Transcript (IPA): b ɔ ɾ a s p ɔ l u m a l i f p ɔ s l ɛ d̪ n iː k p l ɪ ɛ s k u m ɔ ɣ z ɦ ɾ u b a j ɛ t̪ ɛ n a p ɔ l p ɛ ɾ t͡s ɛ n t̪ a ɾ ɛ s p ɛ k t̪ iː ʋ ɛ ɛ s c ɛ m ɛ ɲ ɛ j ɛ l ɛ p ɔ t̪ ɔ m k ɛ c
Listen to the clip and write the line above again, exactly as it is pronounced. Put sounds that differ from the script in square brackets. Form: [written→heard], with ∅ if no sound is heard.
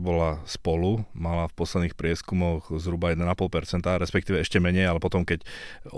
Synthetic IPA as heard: b ɔ [ɾ→l] a s p ɔ l u m a l [i→a] f p ɔ s l ɛ d̪ n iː [k→x] p [l→ɾ] ɪ ɛ s k u m ɔ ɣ z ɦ ɾ u b a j ɛ [t̪→d̪] ɛ n a p ɔ l p ɛ ɾ t͡s ɛ n t̪ a ɾ ɛ s p ɛ k t̪ iː ʋ ɛ ɛ [s→ʃ] c ɛ m ɛ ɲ ɛ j [ɛ→a] l ɛ p ɔ t̪ ɔ m k ɛ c